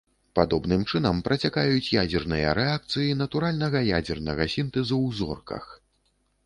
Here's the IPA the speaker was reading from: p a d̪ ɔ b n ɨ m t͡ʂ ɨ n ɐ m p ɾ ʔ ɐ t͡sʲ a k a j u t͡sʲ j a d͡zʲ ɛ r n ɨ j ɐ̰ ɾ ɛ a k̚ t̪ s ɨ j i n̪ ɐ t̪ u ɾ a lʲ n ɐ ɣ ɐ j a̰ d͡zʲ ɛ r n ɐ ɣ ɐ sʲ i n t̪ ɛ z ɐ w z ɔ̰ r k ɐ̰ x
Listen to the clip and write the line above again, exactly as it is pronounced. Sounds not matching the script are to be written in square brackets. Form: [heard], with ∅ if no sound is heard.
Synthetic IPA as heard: p a d̪ ɔ b n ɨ m t͡ʂ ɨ n ɐ m p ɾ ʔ ɐ t͡sʲ a k a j u t͡sʲ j a d͡zʲ ɛ r n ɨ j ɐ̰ ɾ ɛ a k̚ t̪ s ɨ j i n̪ ɐ t̪ u ɾ a lʲ n ɐ ɣ ɐ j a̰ d͡zʲ ɛ r n ɐ ɣ ɐ sʲ i n t̪ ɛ z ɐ w z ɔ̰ r k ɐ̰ x